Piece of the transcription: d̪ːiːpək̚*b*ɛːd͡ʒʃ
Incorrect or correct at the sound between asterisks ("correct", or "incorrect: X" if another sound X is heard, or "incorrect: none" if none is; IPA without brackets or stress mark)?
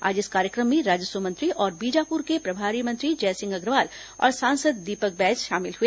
correct